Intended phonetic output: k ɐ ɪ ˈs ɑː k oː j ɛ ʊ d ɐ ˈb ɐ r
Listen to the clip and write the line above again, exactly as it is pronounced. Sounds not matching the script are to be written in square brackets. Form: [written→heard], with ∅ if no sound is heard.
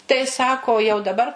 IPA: [k→t] ɐ ɪ ˈs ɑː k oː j ɛ ʊ d ɐ ˈb ɐ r